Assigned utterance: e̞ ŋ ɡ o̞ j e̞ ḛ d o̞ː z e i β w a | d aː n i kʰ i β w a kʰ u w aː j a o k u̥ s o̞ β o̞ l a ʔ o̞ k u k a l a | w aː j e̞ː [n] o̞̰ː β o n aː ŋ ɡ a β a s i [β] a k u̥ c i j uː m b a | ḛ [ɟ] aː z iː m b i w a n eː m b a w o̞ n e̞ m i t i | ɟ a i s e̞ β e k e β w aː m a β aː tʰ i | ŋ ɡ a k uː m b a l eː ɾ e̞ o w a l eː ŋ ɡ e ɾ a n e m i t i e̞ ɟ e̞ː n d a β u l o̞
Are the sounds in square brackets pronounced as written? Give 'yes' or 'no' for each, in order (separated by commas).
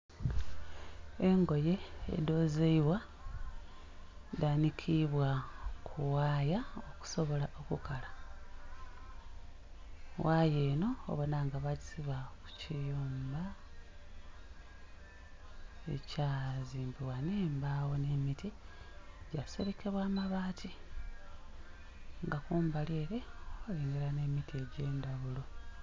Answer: yes, yes, no